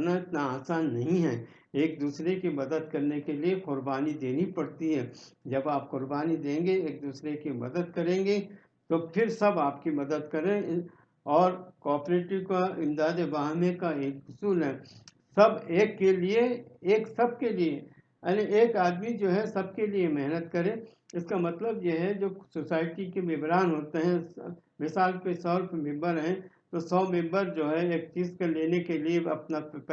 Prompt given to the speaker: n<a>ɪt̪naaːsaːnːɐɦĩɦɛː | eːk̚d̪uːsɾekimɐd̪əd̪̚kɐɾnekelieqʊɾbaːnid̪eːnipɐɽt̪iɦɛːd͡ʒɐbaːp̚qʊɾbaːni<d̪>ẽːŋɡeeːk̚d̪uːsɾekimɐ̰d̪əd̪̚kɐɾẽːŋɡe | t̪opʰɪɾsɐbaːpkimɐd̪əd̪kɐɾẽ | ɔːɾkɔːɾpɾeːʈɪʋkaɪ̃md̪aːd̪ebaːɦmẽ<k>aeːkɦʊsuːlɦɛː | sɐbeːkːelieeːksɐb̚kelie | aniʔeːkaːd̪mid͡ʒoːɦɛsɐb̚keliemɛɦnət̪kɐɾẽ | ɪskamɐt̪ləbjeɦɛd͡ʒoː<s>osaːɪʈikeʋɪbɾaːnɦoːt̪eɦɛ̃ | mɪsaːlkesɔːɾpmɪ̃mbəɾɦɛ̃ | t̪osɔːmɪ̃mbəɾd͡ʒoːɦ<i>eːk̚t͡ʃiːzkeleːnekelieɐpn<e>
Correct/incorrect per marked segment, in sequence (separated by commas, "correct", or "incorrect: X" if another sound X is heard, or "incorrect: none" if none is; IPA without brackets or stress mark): correct, correct, correct, correct, incorrect: ɛ, incorrect: a